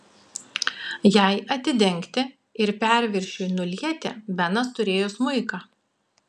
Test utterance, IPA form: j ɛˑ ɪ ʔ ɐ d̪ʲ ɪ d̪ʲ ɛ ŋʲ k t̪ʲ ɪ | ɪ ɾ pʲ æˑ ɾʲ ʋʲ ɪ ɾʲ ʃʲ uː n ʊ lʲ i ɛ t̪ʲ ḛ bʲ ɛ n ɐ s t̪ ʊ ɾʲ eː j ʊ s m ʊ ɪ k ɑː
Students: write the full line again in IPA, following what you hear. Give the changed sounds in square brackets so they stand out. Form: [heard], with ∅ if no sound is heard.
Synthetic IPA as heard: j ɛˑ ɪ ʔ ɐ [t̪ʲ] ɪ d̪ʲ ɛ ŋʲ k t̪ʲ ɪ | ɪ ɾ pʲ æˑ ɾʲ ʋʲ ɪ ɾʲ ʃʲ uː n ʊ lʲ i ɛ t̪ʲ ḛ bʲ ɛ n ɐ s t̪ ʊ ɾʲ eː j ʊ s m ʊ ɪ k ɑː

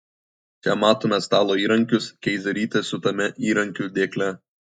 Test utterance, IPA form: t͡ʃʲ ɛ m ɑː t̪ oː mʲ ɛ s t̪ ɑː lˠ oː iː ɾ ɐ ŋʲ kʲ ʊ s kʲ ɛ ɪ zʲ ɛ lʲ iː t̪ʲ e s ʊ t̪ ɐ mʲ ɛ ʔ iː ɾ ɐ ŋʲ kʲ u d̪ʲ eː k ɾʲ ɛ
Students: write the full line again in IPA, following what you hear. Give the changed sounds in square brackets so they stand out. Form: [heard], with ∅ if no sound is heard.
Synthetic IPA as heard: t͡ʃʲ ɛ m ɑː t̪ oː mʲ ɛ s t̪ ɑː lˠ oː iː ɾ ɐ ŋʲ kʲ ʊ s kʲ ɛ ɪ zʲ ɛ [ɾʲ] iː t̪ʲ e s ʊ t̪ ɐ mʲ ɛ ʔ iː ɾ ɐ ŋʲ kʲ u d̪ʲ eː k [lʲ] ɛ

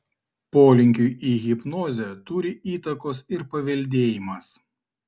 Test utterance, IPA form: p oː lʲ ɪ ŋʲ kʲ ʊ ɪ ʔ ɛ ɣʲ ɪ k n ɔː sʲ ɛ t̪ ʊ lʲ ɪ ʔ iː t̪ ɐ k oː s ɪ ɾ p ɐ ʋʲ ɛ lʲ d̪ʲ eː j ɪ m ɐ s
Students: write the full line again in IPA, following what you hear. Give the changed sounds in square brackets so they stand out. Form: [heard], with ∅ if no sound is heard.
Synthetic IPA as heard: p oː lʲ ɪ ŋʲ kʲ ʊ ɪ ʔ [i] ɣʲ ɪ [p] n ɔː [zʲ] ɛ t̪ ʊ [ɾʲ] ɪ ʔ iː t̪ ɐ k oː s ɪ ɾ p ɐ ʋʲ ɛ lʲ d̪ʲ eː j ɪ m ɐ s

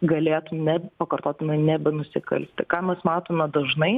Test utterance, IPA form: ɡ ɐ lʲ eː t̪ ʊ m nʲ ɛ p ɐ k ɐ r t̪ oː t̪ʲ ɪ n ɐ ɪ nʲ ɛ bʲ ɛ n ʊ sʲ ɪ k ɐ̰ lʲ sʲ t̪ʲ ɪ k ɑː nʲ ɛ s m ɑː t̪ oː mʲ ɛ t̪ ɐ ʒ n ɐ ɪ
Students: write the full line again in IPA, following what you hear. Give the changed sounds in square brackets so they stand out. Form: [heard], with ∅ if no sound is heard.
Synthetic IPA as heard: ɡ ɐ lʲ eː t̪ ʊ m nʲ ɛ p ɐ k ɐ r t̪ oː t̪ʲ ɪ n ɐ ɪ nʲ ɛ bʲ ɛ n ʊ sʲ ɪ k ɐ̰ lʲ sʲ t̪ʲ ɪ k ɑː [mʲ] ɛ s m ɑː t̪ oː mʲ ɛ [d̪] ɐ ʒ n ɐ ɪ

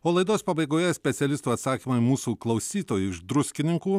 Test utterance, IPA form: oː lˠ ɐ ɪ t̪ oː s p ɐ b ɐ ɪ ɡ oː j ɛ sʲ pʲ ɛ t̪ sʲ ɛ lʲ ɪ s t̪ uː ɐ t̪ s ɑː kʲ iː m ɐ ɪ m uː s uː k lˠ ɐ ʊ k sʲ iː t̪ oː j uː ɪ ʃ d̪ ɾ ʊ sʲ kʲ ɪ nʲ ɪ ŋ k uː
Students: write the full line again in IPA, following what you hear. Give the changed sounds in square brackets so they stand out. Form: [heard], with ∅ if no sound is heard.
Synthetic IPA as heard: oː lˠ ɐ ɪ [d̪] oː s p ɐ b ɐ ɪ ɡ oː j ɛ sʲ pʲ ɛ t̪ sʲ ɛ lʲ ɪ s t̪ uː ɐ t̪ s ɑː kʲ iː m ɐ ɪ m uː s uː k lˠ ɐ ʊ [∅] sʲ iː t̪ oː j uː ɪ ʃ d̪ ɾ ʊ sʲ kʲ ɪ nʲ ɪ ŋ k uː

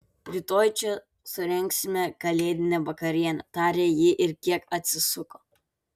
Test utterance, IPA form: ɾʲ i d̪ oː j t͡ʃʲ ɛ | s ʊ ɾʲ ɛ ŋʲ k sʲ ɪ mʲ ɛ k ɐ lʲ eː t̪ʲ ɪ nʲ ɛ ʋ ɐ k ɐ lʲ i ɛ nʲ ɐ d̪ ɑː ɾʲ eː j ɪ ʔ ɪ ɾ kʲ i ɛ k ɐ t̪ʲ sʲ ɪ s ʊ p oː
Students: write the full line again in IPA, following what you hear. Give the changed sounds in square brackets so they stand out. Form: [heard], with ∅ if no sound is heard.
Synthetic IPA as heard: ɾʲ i [t̪] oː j t͡ʃʲ ɛ | s ʊ ɾʲ ɛ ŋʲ k sʲ ɪ mʲ ɛ k ɐ lʲ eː [d̪ʲ] ɪ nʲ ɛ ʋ ɐ k ɐ [ɾʲ] i ɛ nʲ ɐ [t̪] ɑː ɾʲ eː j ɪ ʔ ɪ ɾ kʲ i ɛ k ɐ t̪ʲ sʲ ɪ s ʊ [k] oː

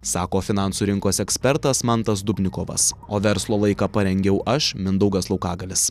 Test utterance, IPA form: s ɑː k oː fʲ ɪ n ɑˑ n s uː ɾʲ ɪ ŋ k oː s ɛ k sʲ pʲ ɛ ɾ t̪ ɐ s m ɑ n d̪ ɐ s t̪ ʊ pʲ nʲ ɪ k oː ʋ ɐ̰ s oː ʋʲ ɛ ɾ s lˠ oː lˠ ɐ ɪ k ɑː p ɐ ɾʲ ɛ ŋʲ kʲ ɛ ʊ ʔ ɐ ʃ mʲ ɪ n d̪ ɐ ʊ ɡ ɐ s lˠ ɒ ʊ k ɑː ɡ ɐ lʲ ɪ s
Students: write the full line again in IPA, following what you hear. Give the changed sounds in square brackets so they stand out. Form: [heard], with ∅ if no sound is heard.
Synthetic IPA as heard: s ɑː k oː fʲ ɪ n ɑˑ n s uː ɾʲ ɪ ŋ k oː s ɛ k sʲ pʲ ɛ ɾ t̪ ɐ s m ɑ n [t̪] ɐ s [d̪] ʊ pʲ nʲ ɪ k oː ʋ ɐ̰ s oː ʋʲ ɛ ɾ s lˠ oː lˠ ɐ ɪ k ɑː p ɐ ɾʲ ɛ ŋʲ [ɡʲ] ɛ ʊ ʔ ɐ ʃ mʲ ɪ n d̪ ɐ ʊ ɡ ɐ s lˠ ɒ ʊ k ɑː ɡ ɐ lʲ ɪ s

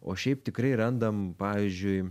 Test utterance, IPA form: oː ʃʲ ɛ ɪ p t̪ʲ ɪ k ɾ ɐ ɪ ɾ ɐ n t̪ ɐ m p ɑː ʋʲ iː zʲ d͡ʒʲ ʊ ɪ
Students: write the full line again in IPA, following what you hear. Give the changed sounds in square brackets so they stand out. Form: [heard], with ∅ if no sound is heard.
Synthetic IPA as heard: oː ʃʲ ɛ ɪ p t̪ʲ ɪ k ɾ ɐ ɪ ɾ ɐ n [d̪] ɐ m p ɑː ʋʲ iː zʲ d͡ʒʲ ʊ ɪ

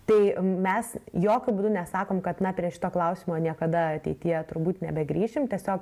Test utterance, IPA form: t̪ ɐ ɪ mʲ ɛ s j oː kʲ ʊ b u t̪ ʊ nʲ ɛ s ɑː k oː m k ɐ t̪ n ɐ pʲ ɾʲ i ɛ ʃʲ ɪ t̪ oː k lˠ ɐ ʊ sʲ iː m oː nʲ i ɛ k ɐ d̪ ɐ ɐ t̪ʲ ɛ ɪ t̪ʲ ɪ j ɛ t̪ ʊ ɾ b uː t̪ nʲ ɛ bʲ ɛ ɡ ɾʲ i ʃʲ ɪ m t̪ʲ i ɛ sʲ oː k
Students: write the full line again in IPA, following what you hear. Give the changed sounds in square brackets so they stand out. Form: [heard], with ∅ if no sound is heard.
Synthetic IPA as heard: t̪ ɐ ɪ mʲ ɛ s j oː kʲ ʊ b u [d̪] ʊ nʲ ɛ s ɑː k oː m k ɐ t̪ n ɐ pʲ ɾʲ i ɛ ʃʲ ɪ t̪ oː k lˠ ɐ ʊ sʲ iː m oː nʲ i ɛ k ɐ d̪ ɐ ɐ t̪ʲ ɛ ɪ t̪ʲ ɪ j ɛ t̪ ʊ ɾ b uː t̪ nʲ ɛ bʲ ɛ ɡ ɾʲ [iː] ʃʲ ɪ m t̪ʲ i ɛ sʲ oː k

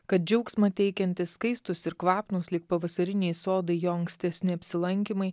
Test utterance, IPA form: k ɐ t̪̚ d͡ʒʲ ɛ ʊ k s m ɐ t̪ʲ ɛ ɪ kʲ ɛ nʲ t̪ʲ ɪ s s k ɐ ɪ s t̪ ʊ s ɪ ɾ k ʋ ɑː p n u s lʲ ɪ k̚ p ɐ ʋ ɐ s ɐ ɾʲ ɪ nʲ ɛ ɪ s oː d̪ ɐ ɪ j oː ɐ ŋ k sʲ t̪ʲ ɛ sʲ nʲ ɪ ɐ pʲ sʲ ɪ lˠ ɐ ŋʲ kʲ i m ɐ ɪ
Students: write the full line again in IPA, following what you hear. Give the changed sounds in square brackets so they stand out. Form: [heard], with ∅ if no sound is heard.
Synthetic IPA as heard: k ɐ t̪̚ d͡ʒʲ ɛ ʊ k s m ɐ t̪ʲ ɛ ɪ kʲ ɛ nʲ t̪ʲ ɪ s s k ɐ ɪ s t̪ ʊ s ɪ ɾ k ʋ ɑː p n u s lʲ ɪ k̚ p ɐ ʋ ɐ s ɐ ɾʲ ɪ nʲ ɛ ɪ s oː d̪ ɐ ɪ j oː ɐ ŋ k sʲ t̪ʲ ɛ sʲ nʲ ɪ ɐ pʲ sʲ ɪ lˠ ɐ ŋʲ kʲ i m ɐ ɪ

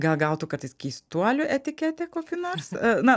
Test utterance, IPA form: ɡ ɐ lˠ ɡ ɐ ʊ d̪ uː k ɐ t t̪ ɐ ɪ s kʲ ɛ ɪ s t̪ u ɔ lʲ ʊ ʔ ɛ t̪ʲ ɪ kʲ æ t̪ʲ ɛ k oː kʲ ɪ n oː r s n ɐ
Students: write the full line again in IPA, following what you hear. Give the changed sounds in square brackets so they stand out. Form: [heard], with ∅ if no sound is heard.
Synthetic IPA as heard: ɡ ɐ lˠ ɡ ɐ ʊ [t̪] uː k ɐ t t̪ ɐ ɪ s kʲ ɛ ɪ s t̪ u ɔ lʲ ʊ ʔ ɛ t̪ʲ ɪ kʲ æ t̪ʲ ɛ k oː kʲ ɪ n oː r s n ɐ

